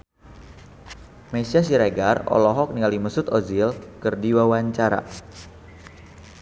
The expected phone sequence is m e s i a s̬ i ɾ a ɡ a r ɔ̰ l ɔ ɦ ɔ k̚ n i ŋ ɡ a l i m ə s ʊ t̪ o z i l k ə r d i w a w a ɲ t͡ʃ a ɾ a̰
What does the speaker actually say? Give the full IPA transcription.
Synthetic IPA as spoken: m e s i a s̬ i ɾ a ɡ a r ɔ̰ l ɔ ɦ ɔ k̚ n i ŋ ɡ a l i m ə s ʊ t̪ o z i l k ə r d i w a w a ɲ t͡ʃ a ɾ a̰